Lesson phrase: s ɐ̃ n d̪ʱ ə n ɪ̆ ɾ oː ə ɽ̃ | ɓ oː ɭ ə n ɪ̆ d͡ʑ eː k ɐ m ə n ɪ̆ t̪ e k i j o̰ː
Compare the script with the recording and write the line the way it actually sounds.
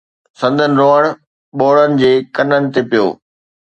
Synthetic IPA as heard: s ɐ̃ n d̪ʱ ə n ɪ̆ ɾ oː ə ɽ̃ | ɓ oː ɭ ə n ɪ̆ d͡ʑ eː k ɐ n ə n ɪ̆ t̪ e p i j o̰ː